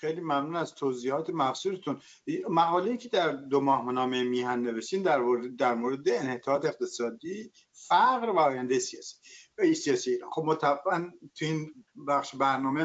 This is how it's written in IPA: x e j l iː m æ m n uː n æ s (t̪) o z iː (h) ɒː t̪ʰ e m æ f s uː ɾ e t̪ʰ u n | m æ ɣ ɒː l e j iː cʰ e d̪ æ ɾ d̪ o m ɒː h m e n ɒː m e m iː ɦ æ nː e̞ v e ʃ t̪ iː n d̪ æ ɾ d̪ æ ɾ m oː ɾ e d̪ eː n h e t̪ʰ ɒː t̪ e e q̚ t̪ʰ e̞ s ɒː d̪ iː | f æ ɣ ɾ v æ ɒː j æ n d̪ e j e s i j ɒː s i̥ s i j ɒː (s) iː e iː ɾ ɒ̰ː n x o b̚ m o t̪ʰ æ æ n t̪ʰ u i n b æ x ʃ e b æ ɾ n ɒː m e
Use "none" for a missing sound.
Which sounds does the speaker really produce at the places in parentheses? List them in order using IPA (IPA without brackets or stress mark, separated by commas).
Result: t̪ʰ, h, s